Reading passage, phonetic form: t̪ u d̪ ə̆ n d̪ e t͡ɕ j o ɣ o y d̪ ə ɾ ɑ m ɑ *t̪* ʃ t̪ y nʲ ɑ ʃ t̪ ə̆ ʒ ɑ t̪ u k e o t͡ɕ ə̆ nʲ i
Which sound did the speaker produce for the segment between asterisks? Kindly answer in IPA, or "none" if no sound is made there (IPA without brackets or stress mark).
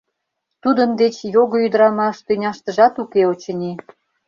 none